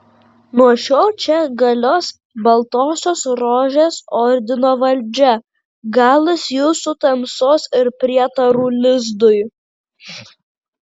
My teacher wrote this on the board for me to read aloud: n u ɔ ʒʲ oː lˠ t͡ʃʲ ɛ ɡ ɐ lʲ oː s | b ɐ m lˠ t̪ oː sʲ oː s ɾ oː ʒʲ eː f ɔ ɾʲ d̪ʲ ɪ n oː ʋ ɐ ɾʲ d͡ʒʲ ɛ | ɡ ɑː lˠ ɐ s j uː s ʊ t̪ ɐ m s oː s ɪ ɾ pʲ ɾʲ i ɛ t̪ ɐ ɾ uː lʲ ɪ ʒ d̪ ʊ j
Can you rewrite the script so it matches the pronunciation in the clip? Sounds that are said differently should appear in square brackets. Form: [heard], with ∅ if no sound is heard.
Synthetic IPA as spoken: n u ɔ [ʃʲ] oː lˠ t͡ʃʲ ɛ ɡ ɐ lʲ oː s | b ɐ [∅] lˠ t̪ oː sʲ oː s ɾ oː ʒʲ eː [s] ɔ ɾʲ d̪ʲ ɪ n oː ʋ ɐ [lʲ] d͡ʒʲ ɛ | ɡ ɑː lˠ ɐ s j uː s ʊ t̪ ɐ m s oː s ɪ ɾ pʲ ɾʲ i ɛ t̪ ɐ ɾ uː lʲ ɪ [z] d̪ ʊ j